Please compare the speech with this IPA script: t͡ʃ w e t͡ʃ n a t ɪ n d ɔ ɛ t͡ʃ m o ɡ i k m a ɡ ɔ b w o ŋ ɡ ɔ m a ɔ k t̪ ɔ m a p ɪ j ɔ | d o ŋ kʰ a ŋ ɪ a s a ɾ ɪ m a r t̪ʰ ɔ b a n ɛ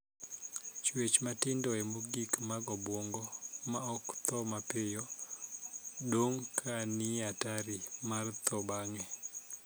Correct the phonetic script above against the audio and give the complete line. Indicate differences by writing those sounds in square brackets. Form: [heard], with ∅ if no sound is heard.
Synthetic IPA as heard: t͡ʃ w e t͡ʃ [m] a t ɪ n d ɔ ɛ [∅] m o ɡ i k m a ɡ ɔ b w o ŋ ɡ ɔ m a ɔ k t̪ ɔ m a p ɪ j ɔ | d o ŋ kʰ a [n] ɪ a [t] a ɾ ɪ m a r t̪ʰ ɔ b a [ŋ] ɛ